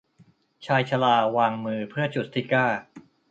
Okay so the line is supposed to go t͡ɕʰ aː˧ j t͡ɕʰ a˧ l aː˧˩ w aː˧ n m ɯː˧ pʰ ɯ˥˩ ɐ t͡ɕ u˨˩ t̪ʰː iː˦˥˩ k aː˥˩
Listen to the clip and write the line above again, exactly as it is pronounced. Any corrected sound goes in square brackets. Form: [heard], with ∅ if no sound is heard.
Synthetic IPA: t͡ɕʰ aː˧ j t͡ɕʰ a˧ l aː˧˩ w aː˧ [ŋ] m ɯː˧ pʰ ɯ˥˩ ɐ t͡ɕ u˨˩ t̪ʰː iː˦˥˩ k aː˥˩

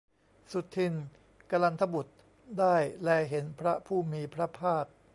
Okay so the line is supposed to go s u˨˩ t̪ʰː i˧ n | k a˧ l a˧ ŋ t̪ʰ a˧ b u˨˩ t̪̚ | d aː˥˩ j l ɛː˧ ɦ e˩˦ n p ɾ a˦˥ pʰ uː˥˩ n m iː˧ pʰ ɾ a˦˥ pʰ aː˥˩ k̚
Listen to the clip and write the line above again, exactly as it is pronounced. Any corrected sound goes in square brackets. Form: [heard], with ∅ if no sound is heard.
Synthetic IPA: s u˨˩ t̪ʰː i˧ n | k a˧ l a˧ [n] t̪ʰ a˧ b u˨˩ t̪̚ | d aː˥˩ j l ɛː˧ ɦ e˩˦ n [pʰ] ɾ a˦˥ pʰ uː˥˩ [∅] m iː˧ pʰ ɾ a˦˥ pʰ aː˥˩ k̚

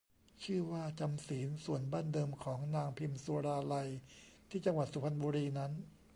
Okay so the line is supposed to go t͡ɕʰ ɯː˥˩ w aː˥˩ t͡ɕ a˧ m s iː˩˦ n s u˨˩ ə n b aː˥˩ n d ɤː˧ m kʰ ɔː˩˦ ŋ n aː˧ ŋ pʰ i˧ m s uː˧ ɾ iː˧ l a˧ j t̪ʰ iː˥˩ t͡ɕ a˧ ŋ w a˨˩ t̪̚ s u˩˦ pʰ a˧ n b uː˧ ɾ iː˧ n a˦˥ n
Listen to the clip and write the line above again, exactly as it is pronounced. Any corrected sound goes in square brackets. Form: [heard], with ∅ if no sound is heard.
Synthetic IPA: t͡ɕʰ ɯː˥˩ w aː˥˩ t͡ɕ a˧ m s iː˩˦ n s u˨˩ ə n b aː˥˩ n d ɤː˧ m kʰ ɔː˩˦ ŋ n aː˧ ŋ pʰ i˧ m s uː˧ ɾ [aː˧] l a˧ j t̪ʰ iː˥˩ t͡ɕ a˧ ŋ w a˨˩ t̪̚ s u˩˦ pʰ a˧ n b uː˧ ɾ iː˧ n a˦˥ n

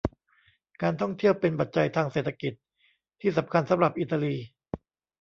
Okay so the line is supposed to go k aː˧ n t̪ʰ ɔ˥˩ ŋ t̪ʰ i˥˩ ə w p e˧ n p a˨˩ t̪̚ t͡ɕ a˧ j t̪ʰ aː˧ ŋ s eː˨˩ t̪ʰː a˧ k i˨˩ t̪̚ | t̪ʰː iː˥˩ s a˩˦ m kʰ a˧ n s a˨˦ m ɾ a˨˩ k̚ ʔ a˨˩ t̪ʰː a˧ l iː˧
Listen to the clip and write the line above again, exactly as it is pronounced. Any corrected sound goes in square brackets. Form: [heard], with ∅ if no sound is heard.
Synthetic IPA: k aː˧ n t̪ʰ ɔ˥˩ ŋ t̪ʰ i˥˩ ə w p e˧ n p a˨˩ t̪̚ t͡ɕ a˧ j t̪ʰ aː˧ ŋ s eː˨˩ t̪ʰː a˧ k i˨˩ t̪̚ | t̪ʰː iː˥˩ s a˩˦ m kʰ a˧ n s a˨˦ m ɾ a˨˩ [p̚] ʔ [i˨˩] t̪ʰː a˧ l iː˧

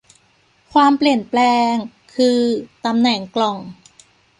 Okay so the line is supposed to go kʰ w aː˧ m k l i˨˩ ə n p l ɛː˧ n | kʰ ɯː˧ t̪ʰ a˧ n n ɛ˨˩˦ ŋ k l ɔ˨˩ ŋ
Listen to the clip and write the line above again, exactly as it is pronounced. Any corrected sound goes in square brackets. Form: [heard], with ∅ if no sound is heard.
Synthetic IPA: kʰ w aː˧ m [p] l i˨˩ ə n p l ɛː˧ [ŋ] | kʰ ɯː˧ [t̪] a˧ [m] n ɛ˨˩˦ ŋ k l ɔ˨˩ ŋ

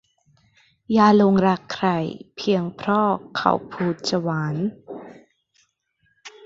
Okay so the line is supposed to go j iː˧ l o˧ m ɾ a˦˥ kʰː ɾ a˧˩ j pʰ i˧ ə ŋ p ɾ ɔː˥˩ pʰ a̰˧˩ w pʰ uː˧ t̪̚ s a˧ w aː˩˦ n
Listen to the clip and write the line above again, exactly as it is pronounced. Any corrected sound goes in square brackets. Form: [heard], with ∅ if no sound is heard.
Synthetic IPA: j [aː˧] l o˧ [ŋ] ɾ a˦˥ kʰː ɾ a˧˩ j pʰ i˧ ə ŋ [pʰ] ɾ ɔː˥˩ [kʰ] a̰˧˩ w pʰ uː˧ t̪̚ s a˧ w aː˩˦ n

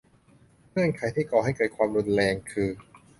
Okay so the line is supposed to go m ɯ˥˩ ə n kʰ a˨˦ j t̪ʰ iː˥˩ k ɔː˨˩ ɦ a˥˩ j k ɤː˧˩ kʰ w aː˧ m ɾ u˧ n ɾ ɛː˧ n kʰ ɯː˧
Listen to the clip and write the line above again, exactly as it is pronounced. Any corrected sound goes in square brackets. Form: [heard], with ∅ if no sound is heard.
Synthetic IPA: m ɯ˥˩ ə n kʰ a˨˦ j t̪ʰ iː˥˩ k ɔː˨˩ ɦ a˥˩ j k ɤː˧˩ kʰ w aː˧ m ɾ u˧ n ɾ ɛː˧ [ŋ] kʰ ɯː˧

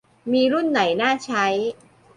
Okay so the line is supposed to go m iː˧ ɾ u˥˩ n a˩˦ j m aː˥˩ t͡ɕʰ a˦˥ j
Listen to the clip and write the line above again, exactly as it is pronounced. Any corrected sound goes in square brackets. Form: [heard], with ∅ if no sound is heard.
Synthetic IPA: m iː˧ ɾ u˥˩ [nː] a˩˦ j [n] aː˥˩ t͡ɕʰ a˦˥ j

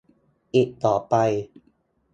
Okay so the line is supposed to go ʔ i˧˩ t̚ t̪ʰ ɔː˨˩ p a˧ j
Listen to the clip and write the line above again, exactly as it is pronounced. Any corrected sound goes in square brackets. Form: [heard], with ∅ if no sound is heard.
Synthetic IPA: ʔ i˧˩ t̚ [t̪] ɔː˨˩ p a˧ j

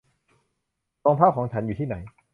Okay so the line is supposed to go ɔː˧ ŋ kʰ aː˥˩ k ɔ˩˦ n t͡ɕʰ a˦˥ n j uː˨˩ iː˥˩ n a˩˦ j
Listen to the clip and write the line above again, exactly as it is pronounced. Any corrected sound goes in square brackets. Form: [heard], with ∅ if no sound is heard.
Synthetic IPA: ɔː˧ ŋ [pʰ] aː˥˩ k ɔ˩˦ [ŋ] t͡ɕʰ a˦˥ n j uː˨˩ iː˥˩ n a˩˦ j

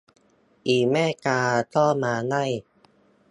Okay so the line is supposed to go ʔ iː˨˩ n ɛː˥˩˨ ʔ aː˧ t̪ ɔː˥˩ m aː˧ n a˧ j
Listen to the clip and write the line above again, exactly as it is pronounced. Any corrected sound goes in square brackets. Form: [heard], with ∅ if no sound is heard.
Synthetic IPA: ʔ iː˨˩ [m] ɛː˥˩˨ [k] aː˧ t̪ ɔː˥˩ m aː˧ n [a˥˩] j

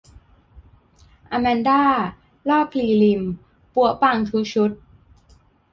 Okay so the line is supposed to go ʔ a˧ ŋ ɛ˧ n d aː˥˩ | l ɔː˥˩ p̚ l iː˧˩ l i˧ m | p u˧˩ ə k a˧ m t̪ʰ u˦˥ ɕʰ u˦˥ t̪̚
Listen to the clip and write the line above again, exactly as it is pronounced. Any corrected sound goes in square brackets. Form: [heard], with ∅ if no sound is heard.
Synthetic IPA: ʔ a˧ [m] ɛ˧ n d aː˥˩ | l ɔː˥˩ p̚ l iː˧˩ l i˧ m | p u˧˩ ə [p] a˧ [ŋ] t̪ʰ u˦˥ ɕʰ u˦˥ t̪̚

